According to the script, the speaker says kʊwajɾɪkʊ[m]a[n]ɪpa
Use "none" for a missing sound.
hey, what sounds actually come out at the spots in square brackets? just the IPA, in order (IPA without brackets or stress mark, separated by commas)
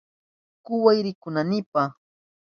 n, n